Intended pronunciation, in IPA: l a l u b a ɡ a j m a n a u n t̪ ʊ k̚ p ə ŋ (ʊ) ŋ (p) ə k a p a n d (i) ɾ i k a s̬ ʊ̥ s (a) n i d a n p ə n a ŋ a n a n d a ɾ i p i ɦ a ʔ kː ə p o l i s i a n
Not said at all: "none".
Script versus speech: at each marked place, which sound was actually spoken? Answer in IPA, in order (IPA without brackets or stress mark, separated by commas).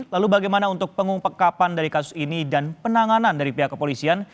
u, p, a, i